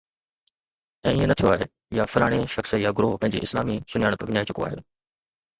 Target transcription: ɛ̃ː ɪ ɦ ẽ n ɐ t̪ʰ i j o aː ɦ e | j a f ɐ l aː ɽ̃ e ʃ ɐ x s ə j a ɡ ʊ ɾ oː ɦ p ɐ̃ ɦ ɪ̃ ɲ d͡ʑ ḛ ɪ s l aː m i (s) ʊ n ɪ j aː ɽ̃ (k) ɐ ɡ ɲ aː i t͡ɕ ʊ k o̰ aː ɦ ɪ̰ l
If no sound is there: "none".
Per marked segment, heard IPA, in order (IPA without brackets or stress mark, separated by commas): s, p